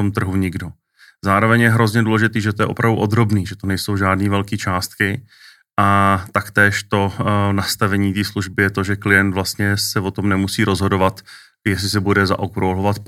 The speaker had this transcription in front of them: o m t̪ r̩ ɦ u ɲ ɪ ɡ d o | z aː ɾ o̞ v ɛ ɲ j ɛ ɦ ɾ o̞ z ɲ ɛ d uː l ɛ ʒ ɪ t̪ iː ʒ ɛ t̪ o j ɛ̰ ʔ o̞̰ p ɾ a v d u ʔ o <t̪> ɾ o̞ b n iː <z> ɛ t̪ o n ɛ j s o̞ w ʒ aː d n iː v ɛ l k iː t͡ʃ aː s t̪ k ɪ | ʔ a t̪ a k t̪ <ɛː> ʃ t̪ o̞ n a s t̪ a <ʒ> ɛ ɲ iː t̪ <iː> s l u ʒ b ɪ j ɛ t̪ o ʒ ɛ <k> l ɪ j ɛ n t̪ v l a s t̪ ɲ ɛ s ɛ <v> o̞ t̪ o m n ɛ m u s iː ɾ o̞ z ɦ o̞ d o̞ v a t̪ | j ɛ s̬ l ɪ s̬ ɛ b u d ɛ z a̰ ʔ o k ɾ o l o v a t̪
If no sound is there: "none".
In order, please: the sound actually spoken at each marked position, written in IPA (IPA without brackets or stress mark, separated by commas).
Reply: d̪, ʒ, ɛː, v, iː, k, v